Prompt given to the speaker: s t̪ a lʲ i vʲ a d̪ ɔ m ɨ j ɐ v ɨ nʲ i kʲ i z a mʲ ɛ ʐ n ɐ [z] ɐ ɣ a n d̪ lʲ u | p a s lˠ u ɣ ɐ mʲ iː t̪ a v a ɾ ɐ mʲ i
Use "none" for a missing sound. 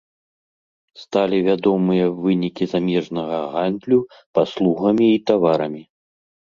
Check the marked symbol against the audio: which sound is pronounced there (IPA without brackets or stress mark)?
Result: ɣ